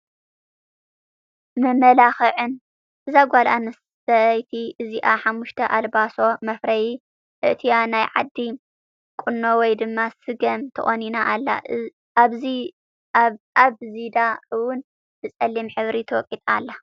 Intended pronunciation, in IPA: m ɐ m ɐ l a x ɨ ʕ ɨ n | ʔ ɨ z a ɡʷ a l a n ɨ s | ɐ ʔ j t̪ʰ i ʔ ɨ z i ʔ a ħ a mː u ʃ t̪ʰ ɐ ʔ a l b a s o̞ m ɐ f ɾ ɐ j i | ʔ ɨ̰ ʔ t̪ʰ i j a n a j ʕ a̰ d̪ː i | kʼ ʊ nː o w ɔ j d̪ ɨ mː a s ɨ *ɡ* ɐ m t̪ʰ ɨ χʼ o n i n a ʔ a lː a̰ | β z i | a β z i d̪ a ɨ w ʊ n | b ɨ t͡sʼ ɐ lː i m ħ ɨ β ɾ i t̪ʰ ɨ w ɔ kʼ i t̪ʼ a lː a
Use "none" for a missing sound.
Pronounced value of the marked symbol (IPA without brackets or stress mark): ɡ